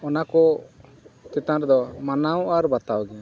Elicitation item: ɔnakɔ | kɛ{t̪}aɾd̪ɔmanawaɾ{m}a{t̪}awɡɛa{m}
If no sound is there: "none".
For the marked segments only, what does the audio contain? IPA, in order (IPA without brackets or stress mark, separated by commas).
t̪, b, t̪, none